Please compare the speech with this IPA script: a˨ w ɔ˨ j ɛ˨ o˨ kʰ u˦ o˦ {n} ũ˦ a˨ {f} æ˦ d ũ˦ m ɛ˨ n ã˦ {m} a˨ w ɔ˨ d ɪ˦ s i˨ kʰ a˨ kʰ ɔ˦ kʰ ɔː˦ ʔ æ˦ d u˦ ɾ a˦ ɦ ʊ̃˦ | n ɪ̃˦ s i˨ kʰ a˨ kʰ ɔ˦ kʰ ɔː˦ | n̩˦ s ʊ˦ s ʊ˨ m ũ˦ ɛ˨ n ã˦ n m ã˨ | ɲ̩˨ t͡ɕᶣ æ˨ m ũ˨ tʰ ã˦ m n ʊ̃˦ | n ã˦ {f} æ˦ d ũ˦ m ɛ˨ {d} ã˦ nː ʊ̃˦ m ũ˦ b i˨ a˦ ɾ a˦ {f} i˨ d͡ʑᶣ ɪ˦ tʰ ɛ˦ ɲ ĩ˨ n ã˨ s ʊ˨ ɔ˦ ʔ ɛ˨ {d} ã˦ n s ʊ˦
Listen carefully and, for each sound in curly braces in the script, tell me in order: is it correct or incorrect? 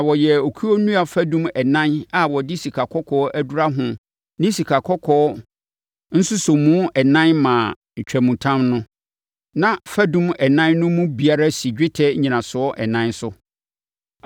correct, correct, incorrect: n, correct, incorrect: n, incorrect: s, incorrect: n

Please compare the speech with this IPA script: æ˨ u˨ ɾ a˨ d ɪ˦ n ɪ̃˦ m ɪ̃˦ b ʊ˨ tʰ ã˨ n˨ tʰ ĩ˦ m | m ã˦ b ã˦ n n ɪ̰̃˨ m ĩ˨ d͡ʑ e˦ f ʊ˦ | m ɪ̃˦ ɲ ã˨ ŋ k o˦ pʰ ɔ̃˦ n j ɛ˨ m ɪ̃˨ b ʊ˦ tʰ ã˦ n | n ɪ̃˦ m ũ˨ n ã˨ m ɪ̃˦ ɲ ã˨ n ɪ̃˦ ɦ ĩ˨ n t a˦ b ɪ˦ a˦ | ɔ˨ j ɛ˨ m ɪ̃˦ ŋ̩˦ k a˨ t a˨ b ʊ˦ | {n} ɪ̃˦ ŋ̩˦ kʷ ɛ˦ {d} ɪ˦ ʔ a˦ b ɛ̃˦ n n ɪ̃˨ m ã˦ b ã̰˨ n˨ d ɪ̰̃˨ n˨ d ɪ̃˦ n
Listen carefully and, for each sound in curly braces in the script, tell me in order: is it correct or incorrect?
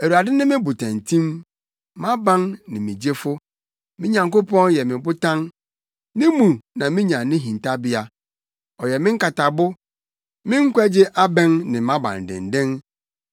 incorrect: m, incorrect: d͡ʑ

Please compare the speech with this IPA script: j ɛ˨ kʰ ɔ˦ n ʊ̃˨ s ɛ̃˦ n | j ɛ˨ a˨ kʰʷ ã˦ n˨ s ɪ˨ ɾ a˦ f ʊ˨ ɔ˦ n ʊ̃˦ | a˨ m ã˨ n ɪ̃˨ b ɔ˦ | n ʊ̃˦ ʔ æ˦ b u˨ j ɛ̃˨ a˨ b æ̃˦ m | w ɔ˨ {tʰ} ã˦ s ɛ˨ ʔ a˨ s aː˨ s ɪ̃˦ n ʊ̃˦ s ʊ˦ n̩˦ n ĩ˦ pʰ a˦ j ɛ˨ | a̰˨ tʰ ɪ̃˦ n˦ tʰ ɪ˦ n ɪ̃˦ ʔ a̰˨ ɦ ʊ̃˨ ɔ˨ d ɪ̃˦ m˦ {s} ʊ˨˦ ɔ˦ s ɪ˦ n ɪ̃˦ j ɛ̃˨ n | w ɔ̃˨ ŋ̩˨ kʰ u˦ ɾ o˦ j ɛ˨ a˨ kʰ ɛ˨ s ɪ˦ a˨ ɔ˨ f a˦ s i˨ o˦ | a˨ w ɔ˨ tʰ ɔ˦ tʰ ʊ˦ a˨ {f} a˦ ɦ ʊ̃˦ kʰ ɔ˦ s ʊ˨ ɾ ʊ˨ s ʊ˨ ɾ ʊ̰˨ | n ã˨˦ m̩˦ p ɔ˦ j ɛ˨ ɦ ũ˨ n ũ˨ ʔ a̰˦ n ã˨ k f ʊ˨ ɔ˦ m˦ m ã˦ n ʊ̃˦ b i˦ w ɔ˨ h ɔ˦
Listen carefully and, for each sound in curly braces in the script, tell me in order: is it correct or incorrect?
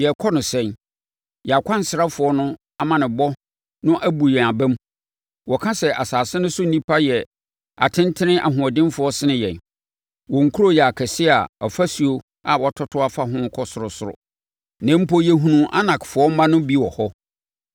incorrect: kʰ, incorrect: f, correct

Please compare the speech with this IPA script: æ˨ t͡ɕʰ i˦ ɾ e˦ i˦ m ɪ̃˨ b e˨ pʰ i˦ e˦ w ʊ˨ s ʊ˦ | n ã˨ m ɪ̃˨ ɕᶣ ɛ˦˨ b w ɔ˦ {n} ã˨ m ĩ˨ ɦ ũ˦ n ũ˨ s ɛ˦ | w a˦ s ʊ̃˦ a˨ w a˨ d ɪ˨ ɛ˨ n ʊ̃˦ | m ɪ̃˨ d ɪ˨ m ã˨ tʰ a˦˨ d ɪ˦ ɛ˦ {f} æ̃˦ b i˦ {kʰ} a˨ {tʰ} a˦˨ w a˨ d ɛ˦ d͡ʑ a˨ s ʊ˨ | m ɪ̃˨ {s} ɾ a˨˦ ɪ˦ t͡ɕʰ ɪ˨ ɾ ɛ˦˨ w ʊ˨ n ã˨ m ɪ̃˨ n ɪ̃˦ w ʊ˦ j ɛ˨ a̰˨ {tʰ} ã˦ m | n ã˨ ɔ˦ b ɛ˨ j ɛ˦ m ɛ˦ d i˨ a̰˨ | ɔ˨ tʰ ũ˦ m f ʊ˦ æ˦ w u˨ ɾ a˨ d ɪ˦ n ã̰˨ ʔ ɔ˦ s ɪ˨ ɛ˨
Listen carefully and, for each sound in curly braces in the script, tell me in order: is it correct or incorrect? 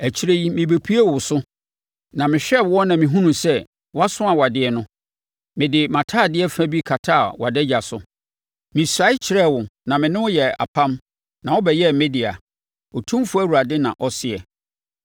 correct, correct, correct, correct, correct, incorrect: pʰ

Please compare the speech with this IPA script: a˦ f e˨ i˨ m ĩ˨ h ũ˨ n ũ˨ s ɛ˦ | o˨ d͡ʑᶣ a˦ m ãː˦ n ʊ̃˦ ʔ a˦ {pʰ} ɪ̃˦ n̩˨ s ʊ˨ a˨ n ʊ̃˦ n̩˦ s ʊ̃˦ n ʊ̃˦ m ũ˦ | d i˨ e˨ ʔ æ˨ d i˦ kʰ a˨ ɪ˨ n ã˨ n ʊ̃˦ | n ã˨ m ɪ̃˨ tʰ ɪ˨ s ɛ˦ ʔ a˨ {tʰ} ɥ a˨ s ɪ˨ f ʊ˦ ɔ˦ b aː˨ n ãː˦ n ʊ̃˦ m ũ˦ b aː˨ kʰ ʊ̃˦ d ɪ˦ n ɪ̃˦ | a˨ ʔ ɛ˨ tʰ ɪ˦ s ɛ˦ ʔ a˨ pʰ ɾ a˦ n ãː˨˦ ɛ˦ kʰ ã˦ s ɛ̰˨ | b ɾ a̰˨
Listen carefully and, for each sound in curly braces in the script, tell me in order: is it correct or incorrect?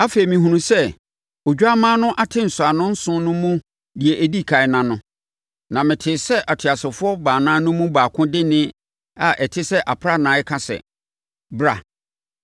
incorrect: tʰ, correct

